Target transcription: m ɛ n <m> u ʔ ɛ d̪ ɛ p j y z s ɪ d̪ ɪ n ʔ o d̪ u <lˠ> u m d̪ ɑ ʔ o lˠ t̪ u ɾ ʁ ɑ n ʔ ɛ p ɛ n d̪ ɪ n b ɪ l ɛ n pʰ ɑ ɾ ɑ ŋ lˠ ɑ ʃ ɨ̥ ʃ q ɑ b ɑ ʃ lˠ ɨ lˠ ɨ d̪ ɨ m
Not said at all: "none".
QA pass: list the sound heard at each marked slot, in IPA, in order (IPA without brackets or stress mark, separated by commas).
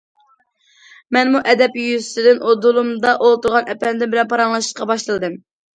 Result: m, lˠ